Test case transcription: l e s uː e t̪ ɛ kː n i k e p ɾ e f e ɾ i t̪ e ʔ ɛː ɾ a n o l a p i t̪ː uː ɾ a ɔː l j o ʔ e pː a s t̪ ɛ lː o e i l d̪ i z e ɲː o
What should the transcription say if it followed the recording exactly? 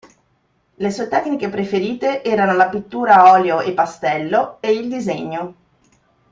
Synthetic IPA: l e s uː e t̪ ɛ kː n i k e p ɾ e f e ɾ iː t̪ e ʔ ɛː ɾ a n o l a p i t̪ː uː ɾ a ɔː l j o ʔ e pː a s t̪ ɛ lː o e i l d̪ i z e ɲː o